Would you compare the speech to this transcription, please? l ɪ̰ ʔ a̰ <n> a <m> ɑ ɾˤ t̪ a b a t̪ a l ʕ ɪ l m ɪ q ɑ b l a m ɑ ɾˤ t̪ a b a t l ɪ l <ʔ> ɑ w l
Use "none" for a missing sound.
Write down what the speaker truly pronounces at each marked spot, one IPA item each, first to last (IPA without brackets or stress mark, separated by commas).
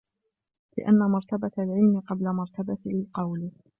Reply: nː, m, q